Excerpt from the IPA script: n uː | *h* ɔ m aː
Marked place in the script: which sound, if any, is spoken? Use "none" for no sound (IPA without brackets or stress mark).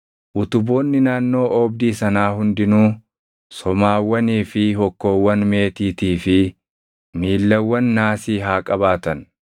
s